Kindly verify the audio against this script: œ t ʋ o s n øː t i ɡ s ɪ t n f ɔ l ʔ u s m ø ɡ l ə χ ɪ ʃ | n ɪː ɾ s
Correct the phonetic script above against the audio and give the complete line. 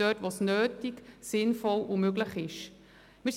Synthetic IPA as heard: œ t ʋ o s n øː t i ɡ s ɪ n f ɔ l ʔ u m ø ɡ l ə χ ɪ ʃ | m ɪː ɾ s